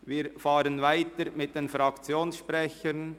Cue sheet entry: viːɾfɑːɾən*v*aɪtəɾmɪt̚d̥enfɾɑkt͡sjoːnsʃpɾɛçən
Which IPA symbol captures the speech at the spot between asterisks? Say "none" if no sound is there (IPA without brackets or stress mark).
v